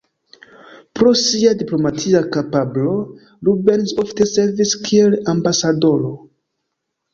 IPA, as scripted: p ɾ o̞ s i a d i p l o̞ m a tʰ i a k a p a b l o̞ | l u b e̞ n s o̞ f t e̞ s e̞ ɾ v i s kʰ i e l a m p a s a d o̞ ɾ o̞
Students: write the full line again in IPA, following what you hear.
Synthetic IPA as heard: p ɾ o̞ s i a d i p l o̞ m a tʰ i a k a p a b l o̞ | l u b e̞ n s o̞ f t e̞ s e̞ ɾ v i s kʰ i e l a m b a s a d o̞ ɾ o̞